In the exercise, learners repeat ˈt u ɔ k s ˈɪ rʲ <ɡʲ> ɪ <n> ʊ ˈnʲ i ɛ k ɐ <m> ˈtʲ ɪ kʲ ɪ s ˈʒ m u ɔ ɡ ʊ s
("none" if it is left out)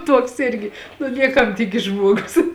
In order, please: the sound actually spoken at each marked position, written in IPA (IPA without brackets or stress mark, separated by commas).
ɡʲ, n, m